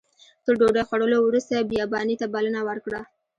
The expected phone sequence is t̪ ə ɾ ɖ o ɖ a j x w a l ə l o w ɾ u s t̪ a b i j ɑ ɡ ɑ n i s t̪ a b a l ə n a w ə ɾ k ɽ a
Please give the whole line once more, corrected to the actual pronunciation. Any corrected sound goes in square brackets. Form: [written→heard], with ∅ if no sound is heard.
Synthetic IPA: t̪ ə ɾ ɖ o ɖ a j x w a [l→ɽ] ə l o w ɾ u s t̪ a b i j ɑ [ɡ→b] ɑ n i [s→∅] t̪ a b a l ə n a w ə ɾ k ɽ a